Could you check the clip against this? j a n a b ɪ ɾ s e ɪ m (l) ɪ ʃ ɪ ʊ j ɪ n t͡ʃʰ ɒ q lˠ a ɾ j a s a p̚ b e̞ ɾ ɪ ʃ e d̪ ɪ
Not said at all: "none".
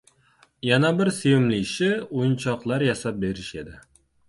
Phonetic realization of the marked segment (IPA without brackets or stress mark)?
l